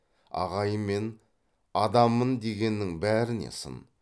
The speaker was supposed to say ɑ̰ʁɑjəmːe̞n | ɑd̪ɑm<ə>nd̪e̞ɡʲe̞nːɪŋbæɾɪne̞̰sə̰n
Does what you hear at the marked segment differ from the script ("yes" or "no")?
no